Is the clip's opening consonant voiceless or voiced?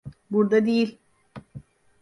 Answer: voiced